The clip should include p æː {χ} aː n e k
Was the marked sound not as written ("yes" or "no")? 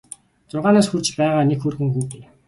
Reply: yes